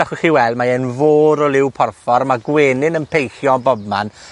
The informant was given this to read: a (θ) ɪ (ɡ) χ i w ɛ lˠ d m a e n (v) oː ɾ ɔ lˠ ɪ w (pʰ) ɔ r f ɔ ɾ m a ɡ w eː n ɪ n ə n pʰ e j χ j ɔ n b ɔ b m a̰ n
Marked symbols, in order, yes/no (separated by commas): no, no, yes, yes